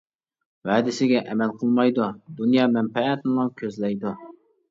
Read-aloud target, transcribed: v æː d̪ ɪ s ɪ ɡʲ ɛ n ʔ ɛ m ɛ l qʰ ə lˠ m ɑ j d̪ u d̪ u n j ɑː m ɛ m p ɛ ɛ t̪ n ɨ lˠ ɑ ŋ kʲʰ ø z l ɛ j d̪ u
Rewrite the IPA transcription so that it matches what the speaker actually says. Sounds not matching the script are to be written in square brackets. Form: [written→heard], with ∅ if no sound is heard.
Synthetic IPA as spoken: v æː d̪ ɪ s ɪ ɡʲ ɛ [n→∅] ʔ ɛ m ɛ l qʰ ə lˠ m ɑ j d̪ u d̪ u n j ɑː m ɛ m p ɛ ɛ t̪ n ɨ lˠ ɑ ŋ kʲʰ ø z l ɛ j d̪ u